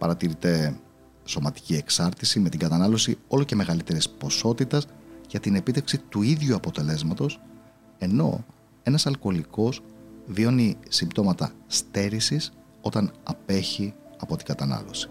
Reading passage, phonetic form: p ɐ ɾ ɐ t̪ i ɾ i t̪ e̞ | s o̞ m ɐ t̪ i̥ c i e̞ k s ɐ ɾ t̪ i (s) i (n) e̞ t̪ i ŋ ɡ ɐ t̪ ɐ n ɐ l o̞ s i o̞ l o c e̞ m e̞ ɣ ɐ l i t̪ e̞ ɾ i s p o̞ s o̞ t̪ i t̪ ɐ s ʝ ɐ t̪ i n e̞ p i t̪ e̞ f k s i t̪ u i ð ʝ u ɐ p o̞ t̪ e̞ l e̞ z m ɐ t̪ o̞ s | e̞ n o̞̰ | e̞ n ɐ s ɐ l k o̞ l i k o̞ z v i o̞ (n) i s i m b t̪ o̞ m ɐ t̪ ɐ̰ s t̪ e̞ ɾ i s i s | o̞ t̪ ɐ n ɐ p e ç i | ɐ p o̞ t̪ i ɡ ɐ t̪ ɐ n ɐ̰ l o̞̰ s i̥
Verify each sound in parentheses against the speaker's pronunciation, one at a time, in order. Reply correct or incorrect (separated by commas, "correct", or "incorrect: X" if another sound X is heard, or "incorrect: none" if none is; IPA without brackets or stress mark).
correct, incorrect: m, correct